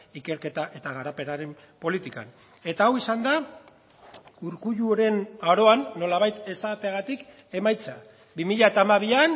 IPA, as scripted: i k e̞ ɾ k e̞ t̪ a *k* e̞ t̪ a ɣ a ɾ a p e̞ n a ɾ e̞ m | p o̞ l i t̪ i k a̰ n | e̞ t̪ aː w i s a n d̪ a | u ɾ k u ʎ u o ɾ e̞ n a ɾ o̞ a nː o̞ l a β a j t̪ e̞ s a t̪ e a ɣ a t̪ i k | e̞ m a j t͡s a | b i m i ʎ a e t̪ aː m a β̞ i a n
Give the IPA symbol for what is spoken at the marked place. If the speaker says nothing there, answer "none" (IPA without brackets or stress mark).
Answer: ʔ